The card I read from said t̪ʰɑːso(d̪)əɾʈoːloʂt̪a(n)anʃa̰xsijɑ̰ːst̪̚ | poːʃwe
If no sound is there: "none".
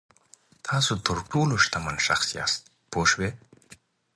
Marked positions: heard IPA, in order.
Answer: t̪, m

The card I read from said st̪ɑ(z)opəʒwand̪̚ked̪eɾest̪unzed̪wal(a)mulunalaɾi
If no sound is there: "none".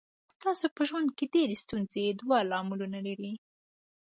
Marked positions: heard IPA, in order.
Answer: s, ɑ

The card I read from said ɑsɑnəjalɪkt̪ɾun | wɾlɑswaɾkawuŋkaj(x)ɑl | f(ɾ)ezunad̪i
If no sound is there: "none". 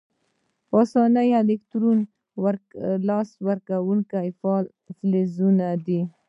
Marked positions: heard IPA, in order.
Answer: f, l

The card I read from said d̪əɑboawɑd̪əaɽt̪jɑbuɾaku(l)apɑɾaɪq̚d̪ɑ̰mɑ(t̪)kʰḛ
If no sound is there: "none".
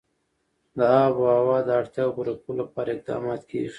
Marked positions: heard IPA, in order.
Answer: l, t̪

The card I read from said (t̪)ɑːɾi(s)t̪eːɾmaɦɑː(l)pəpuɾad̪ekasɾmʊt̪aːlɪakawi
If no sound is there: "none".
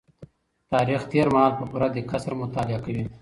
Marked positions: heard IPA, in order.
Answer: t̪, x, l

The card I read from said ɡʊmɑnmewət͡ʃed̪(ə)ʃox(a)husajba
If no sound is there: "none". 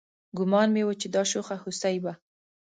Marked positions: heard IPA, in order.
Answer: ɑ, a

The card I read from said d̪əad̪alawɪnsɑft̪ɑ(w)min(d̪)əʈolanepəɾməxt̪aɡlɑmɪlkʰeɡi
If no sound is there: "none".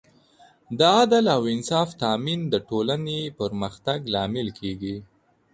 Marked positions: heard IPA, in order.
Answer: none, d̪

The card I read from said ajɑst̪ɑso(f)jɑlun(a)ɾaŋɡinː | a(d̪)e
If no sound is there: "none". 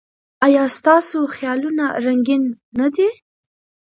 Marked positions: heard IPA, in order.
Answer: x, a, d̪

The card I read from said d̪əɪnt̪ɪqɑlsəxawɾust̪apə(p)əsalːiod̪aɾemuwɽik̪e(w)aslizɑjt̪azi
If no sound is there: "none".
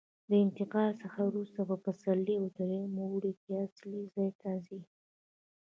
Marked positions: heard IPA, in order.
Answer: p, none

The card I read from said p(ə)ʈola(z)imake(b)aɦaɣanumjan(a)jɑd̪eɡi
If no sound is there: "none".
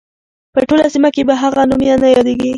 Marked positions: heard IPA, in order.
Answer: ə, s, b, a

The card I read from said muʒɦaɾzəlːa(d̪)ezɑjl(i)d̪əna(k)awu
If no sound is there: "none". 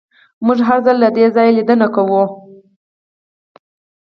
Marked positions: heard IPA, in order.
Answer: d̪, i, k

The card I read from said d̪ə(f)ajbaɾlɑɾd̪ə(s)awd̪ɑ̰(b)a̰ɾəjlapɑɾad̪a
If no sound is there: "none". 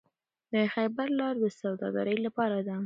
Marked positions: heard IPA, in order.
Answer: x, s, ɡ

